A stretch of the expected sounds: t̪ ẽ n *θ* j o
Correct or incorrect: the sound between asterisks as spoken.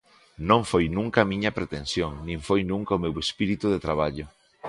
incorrect: s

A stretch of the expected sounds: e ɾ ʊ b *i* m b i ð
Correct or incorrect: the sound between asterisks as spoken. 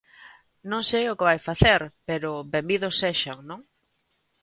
incorrect: e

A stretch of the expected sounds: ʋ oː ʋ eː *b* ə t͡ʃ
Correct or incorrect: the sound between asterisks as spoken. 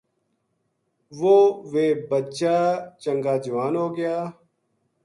correct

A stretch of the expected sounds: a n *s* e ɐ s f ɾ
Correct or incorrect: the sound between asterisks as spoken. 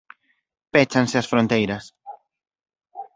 correct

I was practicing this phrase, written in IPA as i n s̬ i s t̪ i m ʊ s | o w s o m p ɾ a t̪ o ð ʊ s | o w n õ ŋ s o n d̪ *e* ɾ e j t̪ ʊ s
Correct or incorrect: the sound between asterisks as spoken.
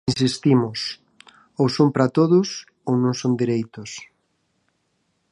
incorrect: i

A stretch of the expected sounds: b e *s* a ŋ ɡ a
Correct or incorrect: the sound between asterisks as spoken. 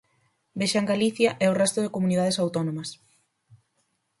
incorrect: ʃ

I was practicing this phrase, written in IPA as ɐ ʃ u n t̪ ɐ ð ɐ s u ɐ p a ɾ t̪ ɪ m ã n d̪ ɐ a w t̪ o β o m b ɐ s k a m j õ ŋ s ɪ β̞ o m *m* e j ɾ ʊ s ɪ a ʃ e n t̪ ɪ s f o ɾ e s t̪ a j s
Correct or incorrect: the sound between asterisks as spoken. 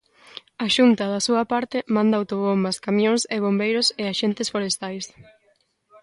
incorrect: b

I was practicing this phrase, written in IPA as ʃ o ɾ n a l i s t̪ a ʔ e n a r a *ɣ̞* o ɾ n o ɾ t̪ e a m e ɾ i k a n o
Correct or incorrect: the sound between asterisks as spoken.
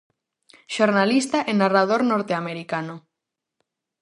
incorrect: ð̞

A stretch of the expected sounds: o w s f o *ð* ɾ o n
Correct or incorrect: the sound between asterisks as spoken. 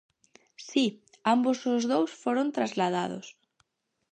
incorrect: none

